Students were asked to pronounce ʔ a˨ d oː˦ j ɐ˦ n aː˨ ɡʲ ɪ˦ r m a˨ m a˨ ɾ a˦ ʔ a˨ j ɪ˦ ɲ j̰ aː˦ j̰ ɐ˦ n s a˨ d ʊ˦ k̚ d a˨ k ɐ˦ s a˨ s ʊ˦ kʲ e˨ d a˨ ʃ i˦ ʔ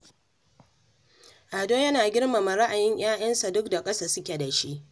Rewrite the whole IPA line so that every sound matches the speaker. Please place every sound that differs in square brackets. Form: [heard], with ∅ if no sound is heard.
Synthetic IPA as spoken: ʔ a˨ d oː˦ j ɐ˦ n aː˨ ɡʲ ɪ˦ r m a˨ m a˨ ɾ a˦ ʔ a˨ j ɪ˦ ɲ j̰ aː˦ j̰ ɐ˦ n s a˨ d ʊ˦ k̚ d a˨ [kʼ] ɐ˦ s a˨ s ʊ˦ kʲ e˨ d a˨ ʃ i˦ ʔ